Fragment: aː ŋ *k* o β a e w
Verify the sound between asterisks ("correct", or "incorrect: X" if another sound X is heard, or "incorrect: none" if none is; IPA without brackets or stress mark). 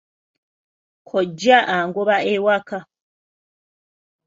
incorrect: ɡ